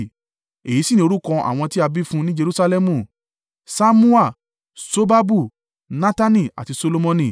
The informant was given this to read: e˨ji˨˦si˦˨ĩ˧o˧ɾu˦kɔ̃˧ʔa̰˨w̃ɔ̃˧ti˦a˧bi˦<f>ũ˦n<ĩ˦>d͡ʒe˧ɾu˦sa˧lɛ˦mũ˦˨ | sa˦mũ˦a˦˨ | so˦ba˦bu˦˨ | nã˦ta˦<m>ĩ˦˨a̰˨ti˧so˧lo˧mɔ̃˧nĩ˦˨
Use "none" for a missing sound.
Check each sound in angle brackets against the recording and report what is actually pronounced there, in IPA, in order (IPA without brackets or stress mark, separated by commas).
f, ĩ˦, n